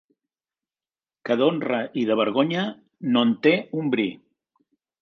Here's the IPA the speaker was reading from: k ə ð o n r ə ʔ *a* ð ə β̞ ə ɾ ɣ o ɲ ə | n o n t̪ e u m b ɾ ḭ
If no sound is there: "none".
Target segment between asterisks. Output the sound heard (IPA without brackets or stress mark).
i